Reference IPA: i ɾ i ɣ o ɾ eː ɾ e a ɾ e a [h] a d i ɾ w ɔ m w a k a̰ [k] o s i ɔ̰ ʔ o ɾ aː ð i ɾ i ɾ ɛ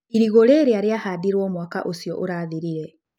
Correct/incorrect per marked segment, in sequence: correct, incorrect: ʔ

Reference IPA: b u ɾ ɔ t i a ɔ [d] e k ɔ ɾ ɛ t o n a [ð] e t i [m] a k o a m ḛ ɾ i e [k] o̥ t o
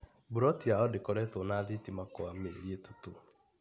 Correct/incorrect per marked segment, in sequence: correct, correct, correct, incorrect: t

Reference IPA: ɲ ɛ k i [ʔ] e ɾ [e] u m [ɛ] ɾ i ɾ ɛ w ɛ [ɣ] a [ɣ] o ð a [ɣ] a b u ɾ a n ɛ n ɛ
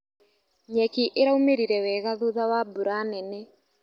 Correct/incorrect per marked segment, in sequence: correct, incorrect: a, incorrect: e, correct, incorrect: ð, incorrect: w

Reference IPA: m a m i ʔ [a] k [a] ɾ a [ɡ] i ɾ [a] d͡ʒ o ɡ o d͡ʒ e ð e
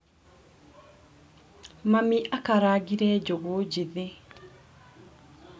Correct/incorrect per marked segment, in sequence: correct, correct, correct, incorrect: ɛ

